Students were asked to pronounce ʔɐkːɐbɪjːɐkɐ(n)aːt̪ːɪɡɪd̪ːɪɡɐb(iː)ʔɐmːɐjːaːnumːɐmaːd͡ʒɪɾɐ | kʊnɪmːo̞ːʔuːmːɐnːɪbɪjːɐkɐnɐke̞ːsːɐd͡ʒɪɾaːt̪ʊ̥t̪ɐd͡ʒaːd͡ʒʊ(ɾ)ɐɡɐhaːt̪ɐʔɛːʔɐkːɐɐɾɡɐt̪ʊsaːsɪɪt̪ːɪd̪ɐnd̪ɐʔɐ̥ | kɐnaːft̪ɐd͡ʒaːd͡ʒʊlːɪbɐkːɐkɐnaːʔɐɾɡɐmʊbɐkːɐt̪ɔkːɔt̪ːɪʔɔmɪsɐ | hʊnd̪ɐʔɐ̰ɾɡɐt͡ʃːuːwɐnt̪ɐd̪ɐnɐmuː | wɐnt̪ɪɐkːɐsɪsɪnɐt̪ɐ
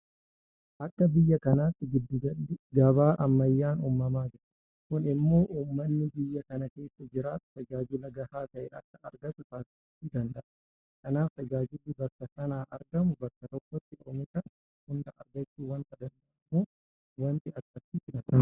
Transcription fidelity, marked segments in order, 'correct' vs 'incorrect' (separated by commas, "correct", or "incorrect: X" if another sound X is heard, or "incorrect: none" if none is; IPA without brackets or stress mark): correct, incorrect: aː, incorrect: l